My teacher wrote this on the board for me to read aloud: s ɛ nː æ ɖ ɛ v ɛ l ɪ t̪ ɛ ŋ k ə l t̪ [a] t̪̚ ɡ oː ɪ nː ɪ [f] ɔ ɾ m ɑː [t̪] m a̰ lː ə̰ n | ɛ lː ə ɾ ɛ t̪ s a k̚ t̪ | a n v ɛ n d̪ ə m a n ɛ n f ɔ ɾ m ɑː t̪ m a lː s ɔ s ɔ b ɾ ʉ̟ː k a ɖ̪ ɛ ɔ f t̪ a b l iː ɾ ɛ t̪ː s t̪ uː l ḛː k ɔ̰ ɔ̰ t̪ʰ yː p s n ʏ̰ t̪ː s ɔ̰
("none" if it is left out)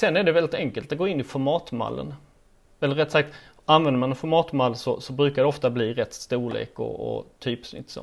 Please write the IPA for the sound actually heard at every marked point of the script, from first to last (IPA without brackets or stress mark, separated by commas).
a, f, t̪